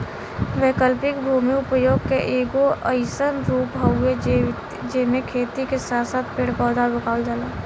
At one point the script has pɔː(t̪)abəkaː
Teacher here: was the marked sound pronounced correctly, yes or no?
no